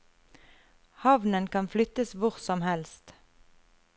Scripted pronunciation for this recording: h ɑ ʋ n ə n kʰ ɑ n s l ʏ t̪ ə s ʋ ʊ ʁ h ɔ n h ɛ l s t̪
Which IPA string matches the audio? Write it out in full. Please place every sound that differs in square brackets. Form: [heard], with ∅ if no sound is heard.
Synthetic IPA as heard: h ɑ ʋ n ə n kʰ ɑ n [f] l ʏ t̪ ə s ʋ ʊ ʁ [s] ɔ [m] h ɛ l s t̪